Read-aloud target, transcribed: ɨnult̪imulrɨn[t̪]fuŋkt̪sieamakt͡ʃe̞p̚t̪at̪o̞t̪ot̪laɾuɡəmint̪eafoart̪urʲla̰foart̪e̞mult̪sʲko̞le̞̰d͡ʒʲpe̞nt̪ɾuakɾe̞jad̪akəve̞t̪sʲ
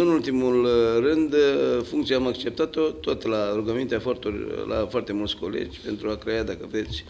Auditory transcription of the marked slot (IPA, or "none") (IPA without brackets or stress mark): d̪